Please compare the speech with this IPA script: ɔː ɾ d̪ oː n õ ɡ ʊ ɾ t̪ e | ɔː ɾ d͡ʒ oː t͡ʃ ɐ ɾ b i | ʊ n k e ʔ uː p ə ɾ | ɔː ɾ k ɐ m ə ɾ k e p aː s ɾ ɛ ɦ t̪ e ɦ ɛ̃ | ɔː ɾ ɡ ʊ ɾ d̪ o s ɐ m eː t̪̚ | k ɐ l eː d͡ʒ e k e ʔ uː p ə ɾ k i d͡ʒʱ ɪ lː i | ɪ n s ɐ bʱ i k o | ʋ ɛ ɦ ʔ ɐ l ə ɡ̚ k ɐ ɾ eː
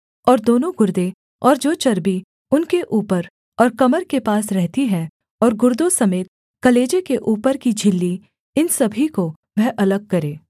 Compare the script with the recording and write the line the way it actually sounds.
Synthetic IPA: ɔː ɾ d̪ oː n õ ɡ ʊ ɾ d̪ e | ɔː ɾ d͡ʒ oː t͡ʃ ɐ ɾ b i | ʊ n k e ʔ uː p ə ɾ | ɔː ɾ k ɐ m ə ɾ k e p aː s ɾ ɛ ɦ t̪ i ɦ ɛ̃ | ɔː ɾ ɡ ʊ ɾ d̪ o s ɐ m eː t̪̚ | k ɐ l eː d͡ʒ e k e ʔ uː p ə ɾ k i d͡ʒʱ ɪ lː i | ɪ n s ɐ bʱ i k o | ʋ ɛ ɦ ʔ ɐ l ə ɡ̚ k ɐ ɾ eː